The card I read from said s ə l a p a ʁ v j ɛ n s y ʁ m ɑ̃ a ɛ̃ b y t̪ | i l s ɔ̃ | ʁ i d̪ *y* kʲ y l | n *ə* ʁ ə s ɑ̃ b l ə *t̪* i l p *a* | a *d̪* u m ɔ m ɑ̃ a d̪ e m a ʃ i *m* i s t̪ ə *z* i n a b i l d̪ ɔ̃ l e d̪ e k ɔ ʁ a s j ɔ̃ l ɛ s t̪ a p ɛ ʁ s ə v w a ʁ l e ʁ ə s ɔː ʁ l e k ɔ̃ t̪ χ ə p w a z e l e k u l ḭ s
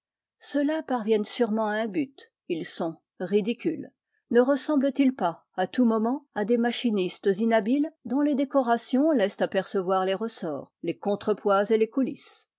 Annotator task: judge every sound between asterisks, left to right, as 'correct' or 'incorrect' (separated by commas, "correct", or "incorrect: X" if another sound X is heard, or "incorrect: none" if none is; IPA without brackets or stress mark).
incorrect: i, correct, correct, correct, incorrect: t̪, incorrect: n, correct